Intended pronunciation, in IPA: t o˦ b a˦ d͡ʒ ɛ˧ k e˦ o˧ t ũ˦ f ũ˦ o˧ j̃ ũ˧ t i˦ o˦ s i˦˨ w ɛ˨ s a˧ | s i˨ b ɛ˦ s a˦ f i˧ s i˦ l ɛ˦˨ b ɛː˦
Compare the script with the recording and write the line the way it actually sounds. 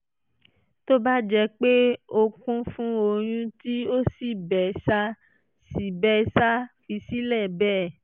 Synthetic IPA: t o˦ b a˦ d͡ʒ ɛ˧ k͡p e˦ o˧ k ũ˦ f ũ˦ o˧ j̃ ũ˧ t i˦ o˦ s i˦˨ b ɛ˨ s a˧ | s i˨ b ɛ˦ s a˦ f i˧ s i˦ l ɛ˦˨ b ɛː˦